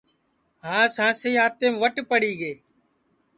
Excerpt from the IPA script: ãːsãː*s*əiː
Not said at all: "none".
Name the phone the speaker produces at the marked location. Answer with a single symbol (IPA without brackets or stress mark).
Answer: s